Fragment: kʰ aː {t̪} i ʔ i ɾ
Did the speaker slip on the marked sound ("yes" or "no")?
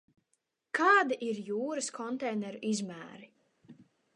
yes